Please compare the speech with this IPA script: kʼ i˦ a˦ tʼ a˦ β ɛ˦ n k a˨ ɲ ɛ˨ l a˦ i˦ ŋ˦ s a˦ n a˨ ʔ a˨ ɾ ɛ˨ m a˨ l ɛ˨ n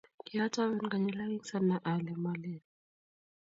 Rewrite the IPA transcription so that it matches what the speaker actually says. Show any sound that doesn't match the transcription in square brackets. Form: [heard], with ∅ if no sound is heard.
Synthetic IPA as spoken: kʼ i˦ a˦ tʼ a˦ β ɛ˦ n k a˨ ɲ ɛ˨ l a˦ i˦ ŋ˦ s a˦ n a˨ ʔ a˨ [l] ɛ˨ m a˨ l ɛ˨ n